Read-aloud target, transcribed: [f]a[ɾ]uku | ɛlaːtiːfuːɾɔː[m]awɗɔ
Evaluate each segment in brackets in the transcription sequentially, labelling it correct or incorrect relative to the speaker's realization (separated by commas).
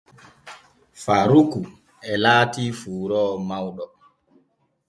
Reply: correct, correct, correct